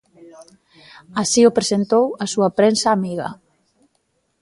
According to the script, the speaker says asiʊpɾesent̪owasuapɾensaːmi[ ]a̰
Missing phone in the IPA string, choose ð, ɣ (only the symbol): ɣ